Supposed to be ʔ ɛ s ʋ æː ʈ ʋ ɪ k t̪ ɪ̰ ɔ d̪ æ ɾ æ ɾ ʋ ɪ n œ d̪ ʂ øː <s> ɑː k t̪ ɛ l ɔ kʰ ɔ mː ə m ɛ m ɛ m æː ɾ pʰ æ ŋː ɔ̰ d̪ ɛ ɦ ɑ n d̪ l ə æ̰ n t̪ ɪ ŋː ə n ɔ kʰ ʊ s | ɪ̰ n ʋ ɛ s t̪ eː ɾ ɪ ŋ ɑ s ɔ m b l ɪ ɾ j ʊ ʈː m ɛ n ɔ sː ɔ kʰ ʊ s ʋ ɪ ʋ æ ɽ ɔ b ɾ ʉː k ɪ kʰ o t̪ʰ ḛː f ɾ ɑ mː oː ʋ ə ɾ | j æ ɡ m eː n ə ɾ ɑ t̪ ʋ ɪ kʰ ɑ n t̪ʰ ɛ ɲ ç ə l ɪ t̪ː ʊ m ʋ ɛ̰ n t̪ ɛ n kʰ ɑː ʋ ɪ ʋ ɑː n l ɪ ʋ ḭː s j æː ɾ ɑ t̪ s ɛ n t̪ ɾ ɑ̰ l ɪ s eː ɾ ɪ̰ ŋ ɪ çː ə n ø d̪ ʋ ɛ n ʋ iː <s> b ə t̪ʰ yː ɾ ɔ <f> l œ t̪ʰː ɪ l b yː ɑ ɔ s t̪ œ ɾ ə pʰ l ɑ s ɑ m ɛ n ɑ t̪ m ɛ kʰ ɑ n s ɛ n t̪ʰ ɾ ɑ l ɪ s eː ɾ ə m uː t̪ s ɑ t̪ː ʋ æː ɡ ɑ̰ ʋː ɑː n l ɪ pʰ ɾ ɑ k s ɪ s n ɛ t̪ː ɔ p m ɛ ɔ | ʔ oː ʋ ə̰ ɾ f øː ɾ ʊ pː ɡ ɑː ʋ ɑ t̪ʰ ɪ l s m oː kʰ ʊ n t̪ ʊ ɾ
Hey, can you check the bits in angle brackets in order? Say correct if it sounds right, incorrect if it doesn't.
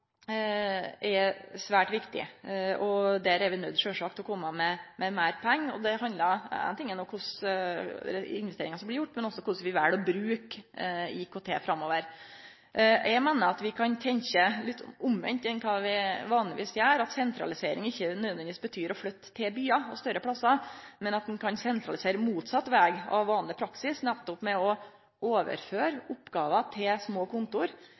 incorrect: ʂ, correct, correct

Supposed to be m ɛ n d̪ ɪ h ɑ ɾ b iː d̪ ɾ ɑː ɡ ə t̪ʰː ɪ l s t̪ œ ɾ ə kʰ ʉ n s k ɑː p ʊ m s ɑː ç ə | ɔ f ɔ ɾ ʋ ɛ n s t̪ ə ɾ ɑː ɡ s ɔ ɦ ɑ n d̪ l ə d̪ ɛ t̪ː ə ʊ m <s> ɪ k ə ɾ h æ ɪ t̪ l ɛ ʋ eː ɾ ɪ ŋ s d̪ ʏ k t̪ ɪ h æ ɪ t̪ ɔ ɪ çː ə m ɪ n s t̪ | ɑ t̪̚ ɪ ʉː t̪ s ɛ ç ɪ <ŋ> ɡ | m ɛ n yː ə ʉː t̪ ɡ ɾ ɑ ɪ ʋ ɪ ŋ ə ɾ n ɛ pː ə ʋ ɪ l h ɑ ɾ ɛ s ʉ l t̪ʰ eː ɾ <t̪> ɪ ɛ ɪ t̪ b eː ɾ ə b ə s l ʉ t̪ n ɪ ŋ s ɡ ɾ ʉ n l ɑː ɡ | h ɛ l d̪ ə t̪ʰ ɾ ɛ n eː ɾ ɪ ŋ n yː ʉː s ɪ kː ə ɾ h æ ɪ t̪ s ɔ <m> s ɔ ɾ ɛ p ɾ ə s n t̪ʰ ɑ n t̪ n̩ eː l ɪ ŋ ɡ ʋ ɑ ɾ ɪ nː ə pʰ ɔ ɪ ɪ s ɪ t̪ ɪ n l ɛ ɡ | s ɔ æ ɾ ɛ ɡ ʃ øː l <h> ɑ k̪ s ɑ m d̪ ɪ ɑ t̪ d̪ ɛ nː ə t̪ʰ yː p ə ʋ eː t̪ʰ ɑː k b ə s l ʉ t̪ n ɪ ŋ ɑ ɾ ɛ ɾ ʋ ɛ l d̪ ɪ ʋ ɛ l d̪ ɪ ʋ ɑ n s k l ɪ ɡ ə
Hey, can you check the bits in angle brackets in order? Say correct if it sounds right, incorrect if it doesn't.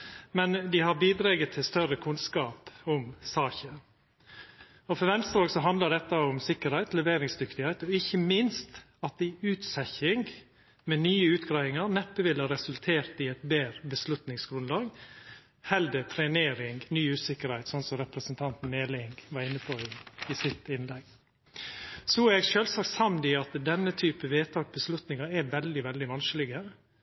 correct, correct, correct, incorrect: n, incorrect: s

